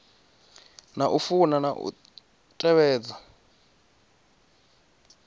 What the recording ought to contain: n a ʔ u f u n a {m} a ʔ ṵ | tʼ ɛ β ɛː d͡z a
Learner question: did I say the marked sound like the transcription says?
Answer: no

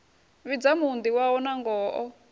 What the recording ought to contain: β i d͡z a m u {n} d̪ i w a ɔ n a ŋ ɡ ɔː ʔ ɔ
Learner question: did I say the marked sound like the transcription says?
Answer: yes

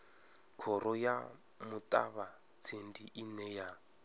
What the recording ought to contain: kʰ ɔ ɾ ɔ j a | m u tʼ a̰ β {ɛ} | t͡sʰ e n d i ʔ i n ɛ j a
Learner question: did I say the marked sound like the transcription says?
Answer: no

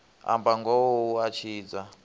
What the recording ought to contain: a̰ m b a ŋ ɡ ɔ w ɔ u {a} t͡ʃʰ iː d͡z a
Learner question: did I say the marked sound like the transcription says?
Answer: yes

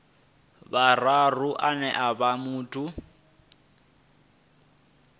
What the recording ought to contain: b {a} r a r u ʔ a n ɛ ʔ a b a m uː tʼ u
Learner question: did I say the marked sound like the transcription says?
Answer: yes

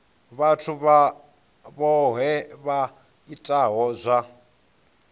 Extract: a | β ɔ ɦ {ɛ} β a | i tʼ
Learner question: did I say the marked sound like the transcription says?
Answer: yes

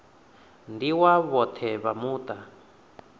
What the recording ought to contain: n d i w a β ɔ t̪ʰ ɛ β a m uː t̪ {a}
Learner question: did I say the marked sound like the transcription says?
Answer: yes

